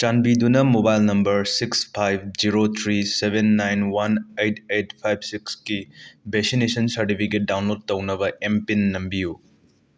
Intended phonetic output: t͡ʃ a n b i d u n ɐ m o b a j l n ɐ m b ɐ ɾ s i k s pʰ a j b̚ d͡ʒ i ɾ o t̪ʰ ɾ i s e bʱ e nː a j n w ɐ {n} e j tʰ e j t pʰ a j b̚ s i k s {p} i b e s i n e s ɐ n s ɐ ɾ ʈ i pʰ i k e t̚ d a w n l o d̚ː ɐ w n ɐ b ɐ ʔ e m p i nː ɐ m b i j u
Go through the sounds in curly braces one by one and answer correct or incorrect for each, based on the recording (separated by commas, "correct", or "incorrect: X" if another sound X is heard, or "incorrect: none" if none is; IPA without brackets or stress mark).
correct, incorrect: k